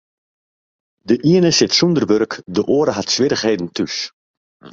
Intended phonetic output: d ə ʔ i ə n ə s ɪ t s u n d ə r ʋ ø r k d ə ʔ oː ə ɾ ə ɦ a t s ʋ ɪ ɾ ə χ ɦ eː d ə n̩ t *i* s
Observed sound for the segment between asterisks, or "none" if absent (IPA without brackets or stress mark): y